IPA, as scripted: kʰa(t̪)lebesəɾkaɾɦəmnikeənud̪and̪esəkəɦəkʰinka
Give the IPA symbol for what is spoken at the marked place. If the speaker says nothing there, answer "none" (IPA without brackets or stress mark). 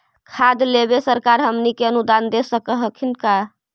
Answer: d̪